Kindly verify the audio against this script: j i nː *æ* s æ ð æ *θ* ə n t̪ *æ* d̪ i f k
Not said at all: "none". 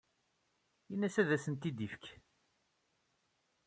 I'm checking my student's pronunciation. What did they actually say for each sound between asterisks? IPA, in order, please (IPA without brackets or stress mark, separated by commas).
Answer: æ, s, i